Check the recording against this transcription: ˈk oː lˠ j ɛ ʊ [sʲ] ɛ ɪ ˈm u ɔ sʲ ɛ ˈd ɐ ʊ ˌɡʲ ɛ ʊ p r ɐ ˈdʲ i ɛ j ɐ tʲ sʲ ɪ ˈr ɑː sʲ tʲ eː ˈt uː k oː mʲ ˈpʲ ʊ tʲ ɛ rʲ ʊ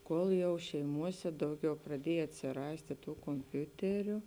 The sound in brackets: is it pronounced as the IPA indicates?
no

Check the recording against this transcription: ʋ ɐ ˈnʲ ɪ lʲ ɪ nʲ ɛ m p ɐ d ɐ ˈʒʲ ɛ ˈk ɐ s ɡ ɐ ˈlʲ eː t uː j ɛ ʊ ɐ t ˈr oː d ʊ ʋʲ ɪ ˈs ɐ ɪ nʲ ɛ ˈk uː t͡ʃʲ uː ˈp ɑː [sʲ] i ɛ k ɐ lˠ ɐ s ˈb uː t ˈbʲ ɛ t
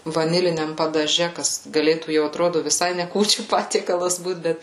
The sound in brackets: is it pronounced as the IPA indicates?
no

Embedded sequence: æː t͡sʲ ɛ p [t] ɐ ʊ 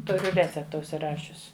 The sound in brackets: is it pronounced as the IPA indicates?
yes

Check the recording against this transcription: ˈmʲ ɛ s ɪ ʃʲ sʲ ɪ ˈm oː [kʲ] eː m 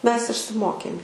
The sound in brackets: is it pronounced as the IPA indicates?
yes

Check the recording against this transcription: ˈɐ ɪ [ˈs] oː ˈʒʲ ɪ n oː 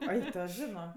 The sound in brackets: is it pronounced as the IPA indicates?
no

